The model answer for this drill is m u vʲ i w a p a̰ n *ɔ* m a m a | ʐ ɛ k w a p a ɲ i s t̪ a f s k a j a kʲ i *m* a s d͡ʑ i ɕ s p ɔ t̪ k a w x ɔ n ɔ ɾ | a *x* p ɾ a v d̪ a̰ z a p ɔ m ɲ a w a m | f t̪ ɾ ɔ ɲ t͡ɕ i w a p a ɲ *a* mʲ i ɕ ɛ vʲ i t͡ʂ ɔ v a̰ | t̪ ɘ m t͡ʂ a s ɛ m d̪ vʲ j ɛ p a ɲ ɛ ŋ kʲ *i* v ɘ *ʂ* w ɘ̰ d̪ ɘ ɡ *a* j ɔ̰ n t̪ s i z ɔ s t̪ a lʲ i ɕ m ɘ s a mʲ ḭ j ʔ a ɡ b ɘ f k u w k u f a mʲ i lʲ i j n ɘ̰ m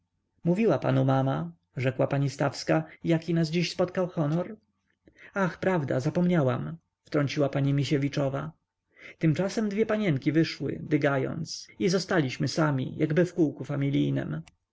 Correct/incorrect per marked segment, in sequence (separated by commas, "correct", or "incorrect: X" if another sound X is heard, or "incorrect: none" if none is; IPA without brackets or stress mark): incorrect: u, incorrect: n, correct, incorrect: i, correct, correct, correct